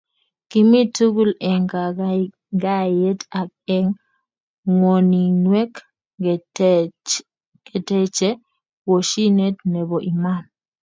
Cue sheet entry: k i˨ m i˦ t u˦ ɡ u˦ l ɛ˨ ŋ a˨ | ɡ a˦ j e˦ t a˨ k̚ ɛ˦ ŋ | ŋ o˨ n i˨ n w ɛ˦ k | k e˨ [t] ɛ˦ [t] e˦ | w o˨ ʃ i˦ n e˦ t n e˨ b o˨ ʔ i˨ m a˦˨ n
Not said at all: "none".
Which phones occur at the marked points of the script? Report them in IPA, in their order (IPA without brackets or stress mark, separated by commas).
t, t͡ʃ